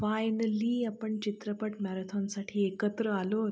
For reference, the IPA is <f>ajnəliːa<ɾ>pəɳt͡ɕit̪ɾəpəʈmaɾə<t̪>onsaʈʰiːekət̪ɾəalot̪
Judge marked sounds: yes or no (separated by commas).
yes, no, no